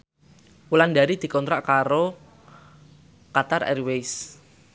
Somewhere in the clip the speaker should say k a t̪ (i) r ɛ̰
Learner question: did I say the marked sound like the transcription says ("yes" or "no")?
no